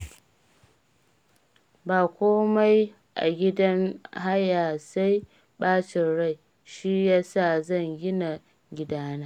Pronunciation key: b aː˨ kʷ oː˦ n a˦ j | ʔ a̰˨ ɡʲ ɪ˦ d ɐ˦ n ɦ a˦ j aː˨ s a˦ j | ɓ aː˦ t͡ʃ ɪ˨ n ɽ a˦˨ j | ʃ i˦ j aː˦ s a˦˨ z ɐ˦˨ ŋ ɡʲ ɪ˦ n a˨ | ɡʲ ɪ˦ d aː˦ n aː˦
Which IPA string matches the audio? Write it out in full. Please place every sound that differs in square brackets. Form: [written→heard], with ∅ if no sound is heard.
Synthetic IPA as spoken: b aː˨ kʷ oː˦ [n→m] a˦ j | ʔ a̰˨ ɡʲ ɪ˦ d ɐ˦ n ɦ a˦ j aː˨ s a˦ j | ɓ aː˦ t͡ʃ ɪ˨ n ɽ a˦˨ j | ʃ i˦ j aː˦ s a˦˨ z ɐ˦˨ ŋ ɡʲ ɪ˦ n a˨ | ɡʲ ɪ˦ d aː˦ n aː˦